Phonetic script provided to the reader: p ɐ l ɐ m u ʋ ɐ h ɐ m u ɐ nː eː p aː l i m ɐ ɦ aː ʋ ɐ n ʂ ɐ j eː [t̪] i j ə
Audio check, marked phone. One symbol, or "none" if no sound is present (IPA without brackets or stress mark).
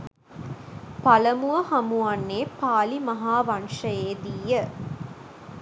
d̪